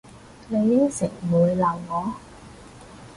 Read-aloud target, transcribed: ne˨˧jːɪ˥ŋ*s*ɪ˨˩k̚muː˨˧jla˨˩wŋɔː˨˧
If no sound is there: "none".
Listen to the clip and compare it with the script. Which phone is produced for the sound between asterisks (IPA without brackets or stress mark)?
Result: s